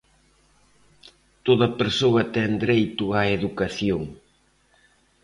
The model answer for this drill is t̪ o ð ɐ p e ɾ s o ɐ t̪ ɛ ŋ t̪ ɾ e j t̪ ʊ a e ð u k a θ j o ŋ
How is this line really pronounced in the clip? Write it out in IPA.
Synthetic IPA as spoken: t̪ o ð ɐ p e ɾ s o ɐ t̪ ɛ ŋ d̪ ɾ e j t̪ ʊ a e ð u k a θ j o ŋ